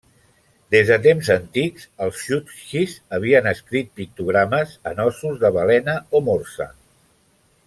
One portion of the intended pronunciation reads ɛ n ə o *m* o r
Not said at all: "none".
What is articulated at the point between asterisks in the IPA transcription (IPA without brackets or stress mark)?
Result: m